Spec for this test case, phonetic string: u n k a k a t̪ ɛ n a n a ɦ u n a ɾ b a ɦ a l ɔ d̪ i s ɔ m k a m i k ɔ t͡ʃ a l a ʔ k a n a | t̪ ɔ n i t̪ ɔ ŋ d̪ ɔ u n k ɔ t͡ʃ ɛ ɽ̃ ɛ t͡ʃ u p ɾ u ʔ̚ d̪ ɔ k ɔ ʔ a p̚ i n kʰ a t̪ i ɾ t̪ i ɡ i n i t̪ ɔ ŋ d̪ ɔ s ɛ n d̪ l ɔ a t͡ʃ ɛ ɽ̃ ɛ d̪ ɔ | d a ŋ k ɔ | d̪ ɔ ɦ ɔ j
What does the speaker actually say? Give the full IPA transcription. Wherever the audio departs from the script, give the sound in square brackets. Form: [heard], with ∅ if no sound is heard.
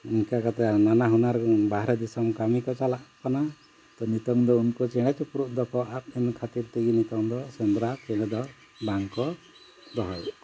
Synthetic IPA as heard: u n k a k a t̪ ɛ n a n a ɦ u n a ɾ b a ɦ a [ɾ] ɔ d̪ i s ɔ m k a m i k ɔ t͡ʃ a l a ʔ k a n a | t̪ ɔ n i t̪ ɔ ŋ d̪ ɔ u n k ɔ t͡ʃ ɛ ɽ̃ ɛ t͡ʃ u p ɾ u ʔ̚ d̪ ɔ k ɔ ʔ a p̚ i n kʰ a t̪ i ɾ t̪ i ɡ i n i t̪ ɔ ŋ d̪ ɔ s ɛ n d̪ [ɾ] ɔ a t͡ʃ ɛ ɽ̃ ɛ d̪ ɔ | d a ŋ k ɔ | d̪ ɔ ɦ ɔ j